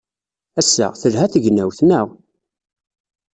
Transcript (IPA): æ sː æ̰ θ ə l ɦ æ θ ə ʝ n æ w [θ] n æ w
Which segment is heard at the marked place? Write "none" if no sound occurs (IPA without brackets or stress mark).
θ